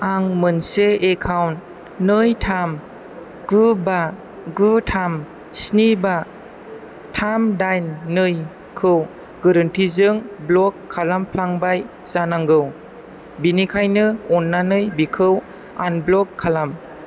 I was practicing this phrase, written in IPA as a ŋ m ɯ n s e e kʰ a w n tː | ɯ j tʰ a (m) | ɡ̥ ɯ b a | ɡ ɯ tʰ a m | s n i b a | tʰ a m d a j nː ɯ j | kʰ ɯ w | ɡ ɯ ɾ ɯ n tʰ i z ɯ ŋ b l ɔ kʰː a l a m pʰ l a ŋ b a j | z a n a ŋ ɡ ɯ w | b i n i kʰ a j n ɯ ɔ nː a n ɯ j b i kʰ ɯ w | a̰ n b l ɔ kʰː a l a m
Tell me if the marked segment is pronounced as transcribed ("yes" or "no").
yes